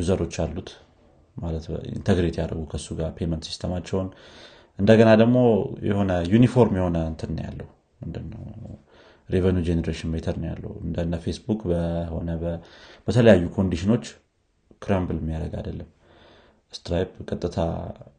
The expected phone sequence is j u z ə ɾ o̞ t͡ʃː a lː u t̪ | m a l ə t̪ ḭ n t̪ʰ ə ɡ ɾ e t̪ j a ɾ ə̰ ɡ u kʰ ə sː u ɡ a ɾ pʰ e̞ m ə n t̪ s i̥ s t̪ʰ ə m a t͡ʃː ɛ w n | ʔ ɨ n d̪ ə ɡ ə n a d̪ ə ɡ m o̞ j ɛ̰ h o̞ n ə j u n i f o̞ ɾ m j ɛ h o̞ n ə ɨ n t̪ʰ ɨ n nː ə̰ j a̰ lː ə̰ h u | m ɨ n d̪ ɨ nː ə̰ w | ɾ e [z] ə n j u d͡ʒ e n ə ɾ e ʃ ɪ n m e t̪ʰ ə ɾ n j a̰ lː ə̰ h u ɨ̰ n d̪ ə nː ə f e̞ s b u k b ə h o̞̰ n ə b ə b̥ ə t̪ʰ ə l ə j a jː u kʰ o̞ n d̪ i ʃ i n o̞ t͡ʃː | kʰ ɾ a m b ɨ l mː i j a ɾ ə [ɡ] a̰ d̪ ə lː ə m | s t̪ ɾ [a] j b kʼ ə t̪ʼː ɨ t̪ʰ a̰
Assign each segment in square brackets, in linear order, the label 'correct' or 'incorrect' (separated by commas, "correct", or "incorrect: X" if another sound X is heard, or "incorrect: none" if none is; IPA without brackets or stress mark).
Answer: incorrect: v, correct, correct